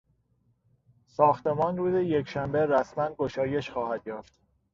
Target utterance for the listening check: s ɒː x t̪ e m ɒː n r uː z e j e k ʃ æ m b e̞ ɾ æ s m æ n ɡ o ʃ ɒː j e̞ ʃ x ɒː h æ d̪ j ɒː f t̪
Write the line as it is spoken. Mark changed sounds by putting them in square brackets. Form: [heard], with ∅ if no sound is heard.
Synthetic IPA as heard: s ɒː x t̪ e m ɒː n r uː z e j e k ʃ æ m b e̞ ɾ æ s m æ n ɡ o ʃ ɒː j e̞ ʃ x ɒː h æ d̪ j ɒː f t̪